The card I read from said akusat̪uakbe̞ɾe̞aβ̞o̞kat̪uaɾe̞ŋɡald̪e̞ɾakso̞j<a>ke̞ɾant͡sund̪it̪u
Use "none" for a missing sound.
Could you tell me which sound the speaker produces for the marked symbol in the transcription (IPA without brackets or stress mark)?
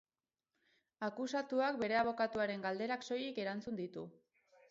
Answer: i